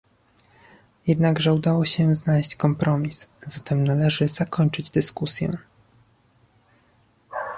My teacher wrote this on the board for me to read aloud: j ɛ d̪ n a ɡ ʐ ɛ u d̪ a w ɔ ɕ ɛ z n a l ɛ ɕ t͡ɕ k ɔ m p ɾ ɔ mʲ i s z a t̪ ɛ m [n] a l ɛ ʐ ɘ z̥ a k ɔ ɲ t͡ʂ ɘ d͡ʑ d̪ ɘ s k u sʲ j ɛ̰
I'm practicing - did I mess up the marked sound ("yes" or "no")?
no